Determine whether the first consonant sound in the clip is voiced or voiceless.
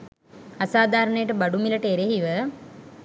voiceless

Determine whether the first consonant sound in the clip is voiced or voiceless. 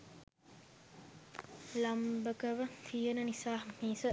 voiced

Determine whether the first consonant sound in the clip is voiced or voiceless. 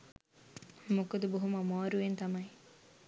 voiced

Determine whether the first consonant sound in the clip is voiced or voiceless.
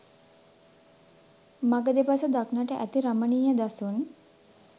voiced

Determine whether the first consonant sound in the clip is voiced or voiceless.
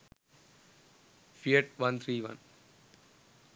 voiceless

